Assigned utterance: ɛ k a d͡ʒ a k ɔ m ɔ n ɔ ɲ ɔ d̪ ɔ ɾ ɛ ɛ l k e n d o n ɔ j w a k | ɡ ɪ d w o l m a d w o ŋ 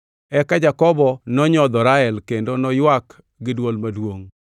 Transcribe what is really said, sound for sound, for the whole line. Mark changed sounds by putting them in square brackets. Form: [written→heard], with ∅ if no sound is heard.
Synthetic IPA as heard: ɛ k a d͡ʒ a k ɔ [m→b] ɔ n ɔ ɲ ɔ d̪ ɔ ɾ [ɛ→a] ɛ l k e n d o n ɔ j w a k | ɡ ɪ d w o l m a d w o ŋ